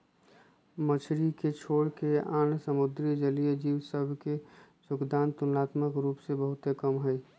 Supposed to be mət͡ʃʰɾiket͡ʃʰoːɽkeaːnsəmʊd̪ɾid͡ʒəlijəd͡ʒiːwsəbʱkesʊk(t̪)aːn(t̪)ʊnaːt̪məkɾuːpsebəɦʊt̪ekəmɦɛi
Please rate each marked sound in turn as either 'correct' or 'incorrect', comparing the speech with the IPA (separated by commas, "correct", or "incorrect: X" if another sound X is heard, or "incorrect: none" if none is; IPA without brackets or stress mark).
incorrect: d̪, correct